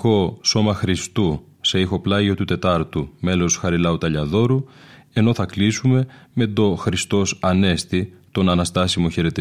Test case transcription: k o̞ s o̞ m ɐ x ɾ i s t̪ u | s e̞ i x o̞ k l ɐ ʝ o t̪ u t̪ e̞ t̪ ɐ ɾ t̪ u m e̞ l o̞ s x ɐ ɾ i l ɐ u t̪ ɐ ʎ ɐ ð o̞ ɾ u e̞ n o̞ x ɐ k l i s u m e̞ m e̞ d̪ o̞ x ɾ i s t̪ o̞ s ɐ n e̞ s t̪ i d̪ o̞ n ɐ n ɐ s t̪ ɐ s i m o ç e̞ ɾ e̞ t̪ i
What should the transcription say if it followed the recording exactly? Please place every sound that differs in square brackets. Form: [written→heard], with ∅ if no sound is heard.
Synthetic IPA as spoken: k o̞ s o̞ m ɐ x ɾ i s t̪ u | s e̞ i x o̞ [k→p] l ɐ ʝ o t̪ u t̪ e̞ t̪ ɐ ɾ t̪ u m e̞ l o̞ s x ɐ ɾ i l ɐ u t̪ ɐ ʎ ɐ ð o̞ ɾ u e̞ n o̞ [x→θ] ɐ k l i s u m e̞ m e̞ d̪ o̞ x ɾ i s t̪ o̞ s ɐ n e̞ s t̪ i [d̪→t̪] o̞ n ɐ n ɐ s t̪ ɐ s i m o ç e̞ ɾ e̞ t̪ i